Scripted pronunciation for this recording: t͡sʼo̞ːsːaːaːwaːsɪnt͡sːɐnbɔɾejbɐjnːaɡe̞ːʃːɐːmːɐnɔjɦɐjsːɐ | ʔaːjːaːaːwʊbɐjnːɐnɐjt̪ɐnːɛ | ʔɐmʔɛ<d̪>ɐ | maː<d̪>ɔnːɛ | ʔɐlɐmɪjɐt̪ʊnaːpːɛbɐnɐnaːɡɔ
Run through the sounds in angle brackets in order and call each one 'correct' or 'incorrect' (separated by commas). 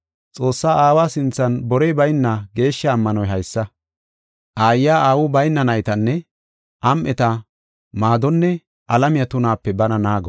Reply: incorrect, correct